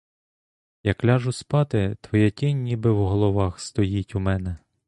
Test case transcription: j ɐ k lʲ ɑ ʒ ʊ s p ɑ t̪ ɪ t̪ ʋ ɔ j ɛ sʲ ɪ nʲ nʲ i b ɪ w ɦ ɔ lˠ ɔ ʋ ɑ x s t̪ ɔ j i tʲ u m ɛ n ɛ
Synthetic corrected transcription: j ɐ k lʲ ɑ ʒ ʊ s p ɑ t̪ ɪ t̪ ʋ ɔ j ɛ tʲ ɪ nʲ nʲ i b ɪ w ɦ ɔ lˠ ɔ ʋ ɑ x s t̪ ɔ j i tʲ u m ɛ n ɛ